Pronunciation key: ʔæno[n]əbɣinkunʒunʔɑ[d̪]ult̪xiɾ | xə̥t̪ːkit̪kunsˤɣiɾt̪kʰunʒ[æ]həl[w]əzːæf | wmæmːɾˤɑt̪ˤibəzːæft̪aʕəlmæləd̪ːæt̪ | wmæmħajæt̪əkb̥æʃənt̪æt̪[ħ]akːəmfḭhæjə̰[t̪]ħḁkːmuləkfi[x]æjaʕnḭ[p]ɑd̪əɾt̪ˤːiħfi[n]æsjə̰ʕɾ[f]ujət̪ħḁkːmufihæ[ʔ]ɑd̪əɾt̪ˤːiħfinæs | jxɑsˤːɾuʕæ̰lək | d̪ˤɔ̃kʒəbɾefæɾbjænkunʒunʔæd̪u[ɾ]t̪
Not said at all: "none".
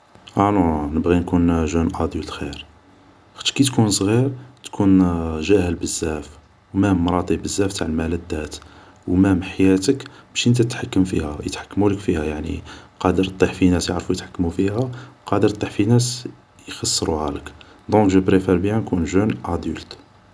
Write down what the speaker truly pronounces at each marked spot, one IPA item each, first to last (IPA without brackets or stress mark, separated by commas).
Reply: n, d̪, æ, b, ħ, t̪, h, q, n, f, q, l